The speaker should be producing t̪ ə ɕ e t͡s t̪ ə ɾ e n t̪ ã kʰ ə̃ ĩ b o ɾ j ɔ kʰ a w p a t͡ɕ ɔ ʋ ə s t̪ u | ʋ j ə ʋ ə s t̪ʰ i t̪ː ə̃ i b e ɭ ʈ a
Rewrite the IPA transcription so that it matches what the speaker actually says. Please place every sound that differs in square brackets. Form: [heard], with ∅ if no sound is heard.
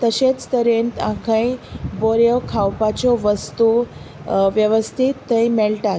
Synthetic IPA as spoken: t̪ ə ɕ e t͡s t̪ ə ɾ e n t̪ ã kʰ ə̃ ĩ b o ɾ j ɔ kʰ a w p a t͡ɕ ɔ ʋ ə s t̪ u | ʋ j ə ʋ ə s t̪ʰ i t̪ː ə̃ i [m] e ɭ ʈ a